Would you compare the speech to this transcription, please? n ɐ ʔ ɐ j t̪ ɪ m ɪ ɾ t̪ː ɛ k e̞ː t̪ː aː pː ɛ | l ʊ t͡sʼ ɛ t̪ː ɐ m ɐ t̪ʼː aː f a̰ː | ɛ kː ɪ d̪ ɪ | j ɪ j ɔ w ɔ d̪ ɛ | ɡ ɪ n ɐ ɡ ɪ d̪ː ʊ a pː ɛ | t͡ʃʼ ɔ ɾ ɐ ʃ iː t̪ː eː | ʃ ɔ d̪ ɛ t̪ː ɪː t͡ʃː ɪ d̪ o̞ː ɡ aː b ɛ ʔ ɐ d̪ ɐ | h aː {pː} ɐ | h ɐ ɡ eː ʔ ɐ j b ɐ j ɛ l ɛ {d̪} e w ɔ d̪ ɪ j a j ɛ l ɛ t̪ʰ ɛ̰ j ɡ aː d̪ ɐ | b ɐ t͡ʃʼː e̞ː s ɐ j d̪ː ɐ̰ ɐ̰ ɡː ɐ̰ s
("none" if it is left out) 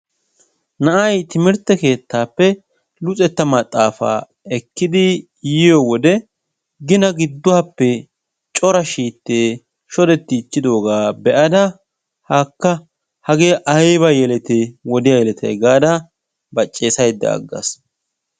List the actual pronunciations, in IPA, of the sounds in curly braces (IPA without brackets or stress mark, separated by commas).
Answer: kː, t̪